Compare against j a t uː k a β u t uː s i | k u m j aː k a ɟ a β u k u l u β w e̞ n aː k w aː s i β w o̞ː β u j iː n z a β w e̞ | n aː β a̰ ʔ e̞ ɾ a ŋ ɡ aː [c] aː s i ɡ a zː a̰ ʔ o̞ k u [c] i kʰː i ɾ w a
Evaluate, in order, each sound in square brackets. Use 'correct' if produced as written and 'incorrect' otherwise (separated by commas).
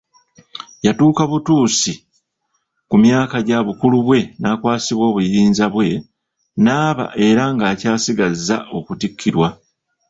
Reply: correct, incorrect